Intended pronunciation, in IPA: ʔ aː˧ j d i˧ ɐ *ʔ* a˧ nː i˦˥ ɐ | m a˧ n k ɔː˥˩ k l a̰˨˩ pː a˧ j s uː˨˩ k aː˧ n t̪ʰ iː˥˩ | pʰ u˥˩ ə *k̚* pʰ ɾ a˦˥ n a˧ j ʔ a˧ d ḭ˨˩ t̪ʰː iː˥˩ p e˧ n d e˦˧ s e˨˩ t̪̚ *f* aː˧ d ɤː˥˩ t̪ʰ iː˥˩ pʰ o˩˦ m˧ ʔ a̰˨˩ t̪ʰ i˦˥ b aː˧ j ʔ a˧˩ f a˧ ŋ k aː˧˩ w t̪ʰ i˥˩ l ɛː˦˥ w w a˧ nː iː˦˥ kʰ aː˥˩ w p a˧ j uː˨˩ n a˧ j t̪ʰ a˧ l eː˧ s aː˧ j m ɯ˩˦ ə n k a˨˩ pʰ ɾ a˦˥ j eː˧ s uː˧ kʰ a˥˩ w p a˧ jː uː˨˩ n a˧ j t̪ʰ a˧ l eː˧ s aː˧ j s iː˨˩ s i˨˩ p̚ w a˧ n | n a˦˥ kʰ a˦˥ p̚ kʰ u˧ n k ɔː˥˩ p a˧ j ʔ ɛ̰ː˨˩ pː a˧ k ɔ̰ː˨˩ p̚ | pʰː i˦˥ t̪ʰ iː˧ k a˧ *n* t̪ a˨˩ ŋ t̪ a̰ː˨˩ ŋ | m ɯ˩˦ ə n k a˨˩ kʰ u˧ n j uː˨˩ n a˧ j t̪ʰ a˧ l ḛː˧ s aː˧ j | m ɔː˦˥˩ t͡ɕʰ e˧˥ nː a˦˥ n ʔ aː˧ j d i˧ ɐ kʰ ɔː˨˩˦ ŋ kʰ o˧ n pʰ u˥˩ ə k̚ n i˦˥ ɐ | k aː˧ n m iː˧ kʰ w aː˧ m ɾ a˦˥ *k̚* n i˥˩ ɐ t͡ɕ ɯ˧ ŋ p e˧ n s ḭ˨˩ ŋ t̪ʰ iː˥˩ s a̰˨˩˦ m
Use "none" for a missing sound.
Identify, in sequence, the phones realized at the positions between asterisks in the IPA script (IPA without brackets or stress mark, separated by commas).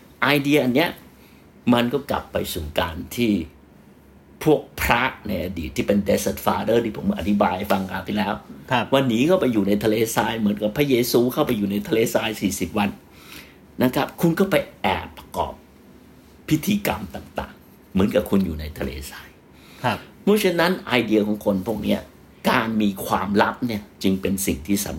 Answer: ʔ, k̚, f, m, p̚